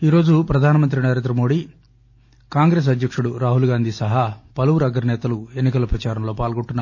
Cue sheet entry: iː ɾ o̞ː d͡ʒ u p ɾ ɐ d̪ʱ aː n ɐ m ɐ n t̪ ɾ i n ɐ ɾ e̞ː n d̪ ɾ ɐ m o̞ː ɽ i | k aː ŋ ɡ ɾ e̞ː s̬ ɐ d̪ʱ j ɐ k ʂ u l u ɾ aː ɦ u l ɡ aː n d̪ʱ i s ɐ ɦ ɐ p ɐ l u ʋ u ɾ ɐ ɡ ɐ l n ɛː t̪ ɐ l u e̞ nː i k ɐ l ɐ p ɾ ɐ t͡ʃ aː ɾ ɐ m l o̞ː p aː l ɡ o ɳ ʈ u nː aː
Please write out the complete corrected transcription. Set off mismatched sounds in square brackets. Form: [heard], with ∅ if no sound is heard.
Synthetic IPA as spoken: iː ɾ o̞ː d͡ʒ u p ɾ ɐ d̪ʱ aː n ɐ m ɐ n t̪ ɾ i n ɐ ɾ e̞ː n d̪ ɾ ɐ m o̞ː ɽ i | k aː ŋ ɡ ɾ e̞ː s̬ ɐ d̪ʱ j ɐ k ʂ u [ɽ] u ɾ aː ɦ u l ɡ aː n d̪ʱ i s ɐ ɦ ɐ p ɐ l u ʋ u ɾ ɐ ɡ ɐ [ɾ] n ɛː t̪ ɐ l u e̞ nː i k ɐ l ɐ p ɾ ɐ t͡ʃ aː ɾ ɐ m l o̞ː p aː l ɡ o ɳ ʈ u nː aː